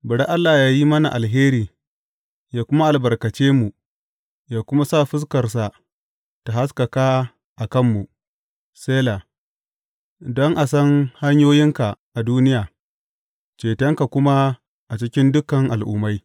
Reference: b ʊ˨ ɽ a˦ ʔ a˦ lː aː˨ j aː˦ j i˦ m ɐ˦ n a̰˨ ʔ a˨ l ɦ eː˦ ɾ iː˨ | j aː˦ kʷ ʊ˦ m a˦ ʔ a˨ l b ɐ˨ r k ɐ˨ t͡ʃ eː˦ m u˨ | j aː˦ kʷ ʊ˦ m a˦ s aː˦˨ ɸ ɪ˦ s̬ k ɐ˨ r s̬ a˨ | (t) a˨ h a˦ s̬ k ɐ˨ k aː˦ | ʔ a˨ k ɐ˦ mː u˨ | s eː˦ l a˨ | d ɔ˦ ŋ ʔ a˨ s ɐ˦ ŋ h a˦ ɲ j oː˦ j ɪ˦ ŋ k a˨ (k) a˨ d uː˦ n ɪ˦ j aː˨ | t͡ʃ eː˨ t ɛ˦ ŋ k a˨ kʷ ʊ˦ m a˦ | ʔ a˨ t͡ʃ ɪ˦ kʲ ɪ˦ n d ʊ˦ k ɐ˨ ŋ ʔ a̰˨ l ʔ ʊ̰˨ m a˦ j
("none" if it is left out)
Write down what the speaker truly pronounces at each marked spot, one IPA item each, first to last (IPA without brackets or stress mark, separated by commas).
t, ʔ